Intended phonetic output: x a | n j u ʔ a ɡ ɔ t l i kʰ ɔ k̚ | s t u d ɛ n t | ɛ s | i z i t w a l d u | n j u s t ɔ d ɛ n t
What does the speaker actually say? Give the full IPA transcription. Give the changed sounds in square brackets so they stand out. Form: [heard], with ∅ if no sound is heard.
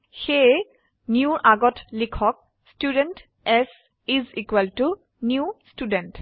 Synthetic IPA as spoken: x [e] | n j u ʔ a ɡ ɔ t l i kʰ ɔ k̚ | s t u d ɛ n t | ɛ s | i z i [k] w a l [t] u | n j u s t [u] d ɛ n t